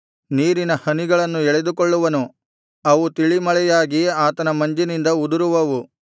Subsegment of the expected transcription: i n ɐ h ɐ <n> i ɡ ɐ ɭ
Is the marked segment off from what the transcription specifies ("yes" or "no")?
no